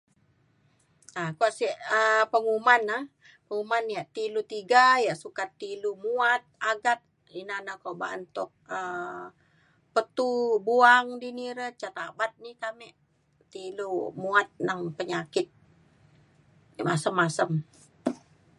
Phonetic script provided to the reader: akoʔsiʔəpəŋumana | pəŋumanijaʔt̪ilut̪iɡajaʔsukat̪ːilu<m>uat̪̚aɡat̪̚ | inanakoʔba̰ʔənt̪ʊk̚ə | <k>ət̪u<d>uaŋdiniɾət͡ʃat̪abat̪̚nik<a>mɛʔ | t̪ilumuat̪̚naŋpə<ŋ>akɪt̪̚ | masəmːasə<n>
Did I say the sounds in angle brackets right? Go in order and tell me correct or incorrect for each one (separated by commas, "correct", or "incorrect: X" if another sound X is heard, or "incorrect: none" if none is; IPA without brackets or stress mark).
correct, incorrect: p, incorrect: b, correct, incorrect: ɲ, incorrect: m